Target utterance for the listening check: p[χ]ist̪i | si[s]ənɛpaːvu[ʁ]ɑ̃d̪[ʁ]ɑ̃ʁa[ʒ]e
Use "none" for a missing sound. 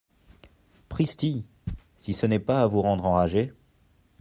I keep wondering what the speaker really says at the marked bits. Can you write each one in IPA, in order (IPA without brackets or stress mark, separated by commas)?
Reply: χ, s, ʁ, ʁ, ʒ